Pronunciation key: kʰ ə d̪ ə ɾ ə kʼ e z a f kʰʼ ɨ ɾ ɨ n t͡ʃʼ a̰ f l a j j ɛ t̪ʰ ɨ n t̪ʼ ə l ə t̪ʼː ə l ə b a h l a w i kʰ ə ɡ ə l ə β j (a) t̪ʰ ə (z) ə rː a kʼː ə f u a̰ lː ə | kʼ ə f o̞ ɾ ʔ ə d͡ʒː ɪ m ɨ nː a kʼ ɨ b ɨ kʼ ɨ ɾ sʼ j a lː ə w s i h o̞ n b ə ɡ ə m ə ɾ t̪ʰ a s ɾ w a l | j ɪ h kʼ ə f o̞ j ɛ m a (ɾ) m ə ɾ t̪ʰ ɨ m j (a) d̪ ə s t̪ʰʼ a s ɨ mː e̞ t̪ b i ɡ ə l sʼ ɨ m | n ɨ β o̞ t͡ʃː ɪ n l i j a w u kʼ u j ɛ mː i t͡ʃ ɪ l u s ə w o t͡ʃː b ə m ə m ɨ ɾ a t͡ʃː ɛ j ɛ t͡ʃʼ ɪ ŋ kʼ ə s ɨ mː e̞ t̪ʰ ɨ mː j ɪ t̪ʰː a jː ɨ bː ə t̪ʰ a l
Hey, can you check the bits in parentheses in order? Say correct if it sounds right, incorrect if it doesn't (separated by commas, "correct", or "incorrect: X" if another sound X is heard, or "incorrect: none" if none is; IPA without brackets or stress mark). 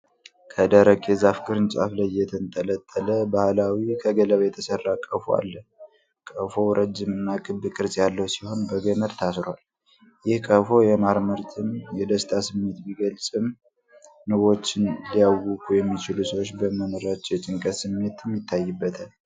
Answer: incorrect: ɛ, incorrect: s, correct, incorrect: ɛ